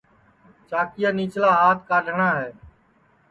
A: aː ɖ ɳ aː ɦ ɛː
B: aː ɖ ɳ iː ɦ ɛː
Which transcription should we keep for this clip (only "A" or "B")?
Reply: A